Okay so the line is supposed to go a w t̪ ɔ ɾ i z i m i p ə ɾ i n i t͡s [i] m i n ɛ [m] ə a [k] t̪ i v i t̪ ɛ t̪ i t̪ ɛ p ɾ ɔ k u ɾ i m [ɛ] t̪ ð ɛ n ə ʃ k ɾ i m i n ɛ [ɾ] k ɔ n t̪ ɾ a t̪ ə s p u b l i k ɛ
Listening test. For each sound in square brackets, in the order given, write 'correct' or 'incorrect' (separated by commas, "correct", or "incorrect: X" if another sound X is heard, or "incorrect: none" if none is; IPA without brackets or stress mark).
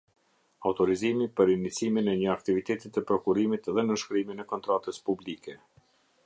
correct, incorrect: ɲ, correct, incorrect: i, incorrect: none